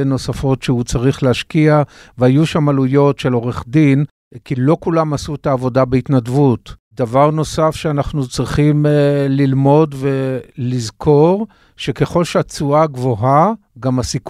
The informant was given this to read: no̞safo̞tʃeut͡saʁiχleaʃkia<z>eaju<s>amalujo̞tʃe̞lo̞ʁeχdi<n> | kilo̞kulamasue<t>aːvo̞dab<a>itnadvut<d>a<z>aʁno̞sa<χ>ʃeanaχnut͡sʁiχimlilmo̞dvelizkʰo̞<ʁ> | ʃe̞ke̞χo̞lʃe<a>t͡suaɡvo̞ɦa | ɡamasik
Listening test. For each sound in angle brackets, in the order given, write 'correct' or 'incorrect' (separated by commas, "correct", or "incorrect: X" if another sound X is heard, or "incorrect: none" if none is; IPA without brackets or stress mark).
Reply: incorrect: v, incorrect: ʃ, correct, correct, incorrect: e, correct, incorrect: v, incorrect: f, correct, correct